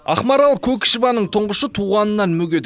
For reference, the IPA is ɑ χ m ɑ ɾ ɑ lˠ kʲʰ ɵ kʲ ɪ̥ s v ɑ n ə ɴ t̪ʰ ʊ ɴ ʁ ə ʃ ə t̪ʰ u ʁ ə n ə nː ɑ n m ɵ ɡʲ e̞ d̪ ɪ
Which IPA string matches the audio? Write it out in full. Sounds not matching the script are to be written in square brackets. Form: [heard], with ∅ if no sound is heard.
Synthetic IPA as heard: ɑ χ m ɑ ɾ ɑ lˠ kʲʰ ɵ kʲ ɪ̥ [ʃ] v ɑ n ə ɴ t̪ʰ ʊ ɴ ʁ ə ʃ ə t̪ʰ u ʁ [ɑ] n ə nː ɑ n m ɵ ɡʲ e̞ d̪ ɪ